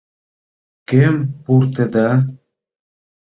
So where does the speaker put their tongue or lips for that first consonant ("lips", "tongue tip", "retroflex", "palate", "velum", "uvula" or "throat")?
velum